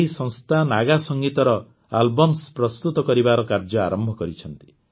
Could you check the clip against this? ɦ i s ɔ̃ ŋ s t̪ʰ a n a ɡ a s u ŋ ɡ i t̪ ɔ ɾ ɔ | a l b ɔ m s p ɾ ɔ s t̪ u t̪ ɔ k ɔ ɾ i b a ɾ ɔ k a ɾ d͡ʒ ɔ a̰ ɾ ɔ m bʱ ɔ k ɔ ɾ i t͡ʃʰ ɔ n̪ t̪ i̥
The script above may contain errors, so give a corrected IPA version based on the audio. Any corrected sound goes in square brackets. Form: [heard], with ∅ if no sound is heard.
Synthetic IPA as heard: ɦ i s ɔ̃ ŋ s t̪ʰ a n a ɡ a s [ɔ] ŋ ɡ i t̪ ɔ ɾ ɔ | a l b ɔ m s p ɾ ɔ s t̪ u t̪ ɔ k ɔ ɾ i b a ɾ ɔ k a ɾ d͡ʒ ɔ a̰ ɾ ɔ m bʱ ɔ k ɔ ɾ i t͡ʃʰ ɔ n̪ t̪ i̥